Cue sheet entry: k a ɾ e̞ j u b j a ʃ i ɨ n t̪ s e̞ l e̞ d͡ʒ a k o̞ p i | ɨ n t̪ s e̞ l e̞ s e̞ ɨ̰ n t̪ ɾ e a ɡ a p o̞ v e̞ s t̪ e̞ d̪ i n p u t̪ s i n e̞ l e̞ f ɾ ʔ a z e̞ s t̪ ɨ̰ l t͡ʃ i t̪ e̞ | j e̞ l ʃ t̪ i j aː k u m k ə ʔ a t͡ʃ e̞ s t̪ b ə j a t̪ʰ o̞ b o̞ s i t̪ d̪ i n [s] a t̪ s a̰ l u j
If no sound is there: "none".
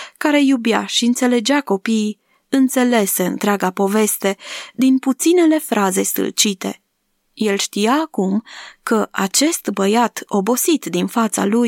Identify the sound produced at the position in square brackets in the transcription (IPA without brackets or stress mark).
f